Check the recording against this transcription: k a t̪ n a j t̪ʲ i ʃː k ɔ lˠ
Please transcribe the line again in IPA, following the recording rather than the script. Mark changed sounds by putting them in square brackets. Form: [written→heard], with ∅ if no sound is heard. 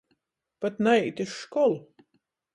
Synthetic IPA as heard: [k→p] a t̪ n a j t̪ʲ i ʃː k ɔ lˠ